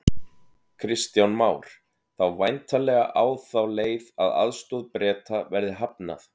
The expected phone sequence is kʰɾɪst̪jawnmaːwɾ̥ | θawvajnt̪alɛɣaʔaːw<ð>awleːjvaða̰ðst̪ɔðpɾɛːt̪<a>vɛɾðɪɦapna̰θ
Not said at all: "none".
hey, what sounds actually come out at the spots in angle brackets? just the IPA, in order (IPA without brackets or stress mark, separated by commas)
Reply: θ, a